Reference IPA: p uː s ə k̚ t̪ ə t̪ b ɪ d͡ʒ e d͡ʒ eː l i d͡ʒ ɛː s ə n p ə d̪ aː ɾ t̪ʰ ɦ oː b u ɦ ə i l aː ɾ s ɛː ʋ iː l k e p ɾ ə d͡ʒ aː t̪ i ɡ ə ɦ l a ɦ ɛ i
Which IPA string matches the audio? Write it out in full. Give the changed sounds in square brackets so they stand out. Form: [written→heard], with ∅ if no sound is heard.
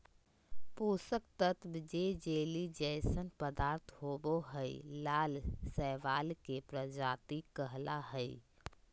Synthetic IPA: p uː s ə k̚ t̪ ə t̪ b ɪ d͡ʒ e d͡ʒ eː l i d͡ʒ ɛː s ə n p ə d̪ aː ɾ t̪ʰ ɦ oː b [u→o] ɦ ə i l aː [ɾ→l] s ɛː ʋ [iː→aː] l k e p ɾ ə d͡ʒ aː t̪ i [ɡ→k] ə ɦ l a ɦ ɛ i